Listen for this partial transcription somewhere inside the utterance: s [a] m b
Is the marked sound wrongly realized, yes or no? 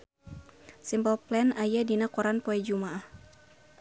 yes